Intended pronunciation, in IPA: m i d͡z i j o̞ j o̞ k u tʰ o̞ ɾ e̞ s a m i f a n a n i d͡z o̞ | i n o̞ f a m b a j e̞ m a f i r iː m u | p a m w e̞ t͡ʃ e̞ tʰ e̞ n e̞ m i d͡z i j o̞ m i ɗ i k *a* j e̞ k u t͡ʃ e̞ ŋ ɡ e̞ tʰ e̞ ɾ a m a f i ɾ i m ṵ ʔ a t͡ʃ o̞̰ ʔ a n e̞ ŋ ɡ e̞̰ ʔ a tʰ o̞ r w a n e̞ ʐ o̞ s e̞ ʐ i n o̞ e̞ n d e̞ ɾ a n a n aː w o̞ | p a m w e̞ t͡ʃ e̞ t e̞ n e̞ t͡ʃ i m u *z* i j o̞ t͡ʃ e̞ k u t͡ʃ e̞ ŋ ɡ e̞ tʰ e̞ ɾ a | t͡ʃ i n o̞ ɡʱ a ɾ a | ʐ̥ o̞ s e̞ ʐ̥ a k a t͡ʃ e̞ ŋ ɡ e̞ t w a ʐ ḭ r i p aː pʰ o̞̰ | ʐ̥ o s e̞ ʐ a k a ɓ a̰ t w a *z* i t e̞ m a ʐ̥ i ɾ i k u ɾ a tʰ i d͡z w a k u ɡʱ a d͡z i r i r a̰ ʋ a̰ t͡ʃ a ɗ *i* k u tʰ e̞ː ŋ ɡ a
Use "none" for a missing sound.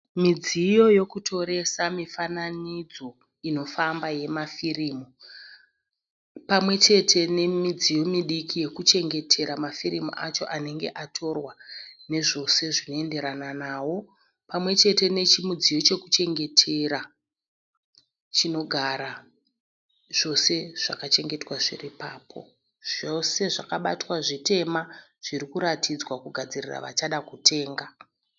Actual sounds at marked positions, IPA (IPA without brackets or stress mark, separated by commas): i, d͡z, ʐ, a